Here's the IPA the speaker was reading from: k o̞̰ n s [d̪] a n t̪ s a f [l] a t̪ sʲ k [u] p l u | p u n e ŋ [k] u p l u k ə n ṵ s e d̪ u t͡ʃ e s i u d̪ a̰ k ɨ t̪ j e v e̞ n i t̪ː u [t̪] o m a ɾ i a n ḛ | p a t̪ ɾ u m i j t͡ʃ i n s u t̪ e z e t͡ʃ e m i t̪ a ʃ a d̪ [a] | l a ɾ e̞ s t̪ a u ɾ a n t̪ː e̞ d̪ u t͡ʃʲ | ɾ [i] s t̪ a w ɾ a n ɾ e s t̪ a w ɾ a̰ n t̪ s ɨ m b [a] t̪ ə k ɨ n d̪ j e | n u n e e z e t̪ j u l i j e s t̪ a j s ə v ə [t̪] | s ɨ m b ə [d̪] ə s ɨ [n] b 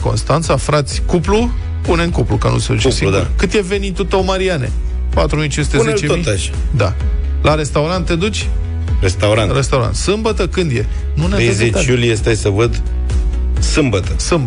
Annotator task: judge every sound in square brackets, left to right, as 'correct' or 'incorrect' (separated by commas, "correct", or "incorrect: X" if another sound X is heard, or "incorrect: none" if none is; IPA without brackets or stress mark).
incorrect: t̪, incorrect: ɾ, correct, correct, correct, correct, incorrect: e, incorrect: ə, incorrect: d̪, incorrect: t̪, incorrect: m